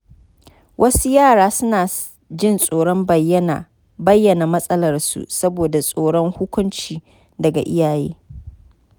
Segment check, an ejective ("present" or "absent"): present